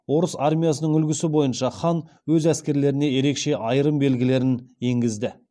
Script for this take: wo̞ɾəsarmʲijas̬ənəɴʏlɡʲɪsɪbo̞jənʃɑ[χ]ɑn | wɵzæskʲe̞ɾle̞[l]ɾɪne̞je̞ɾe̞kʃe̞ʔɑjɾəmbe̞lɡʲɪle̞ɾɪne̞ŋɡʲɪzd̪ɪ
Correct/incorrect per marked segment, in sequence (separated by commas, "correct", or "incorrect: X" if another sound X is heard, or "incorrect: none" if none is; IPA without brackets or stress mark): correct, incorrect: none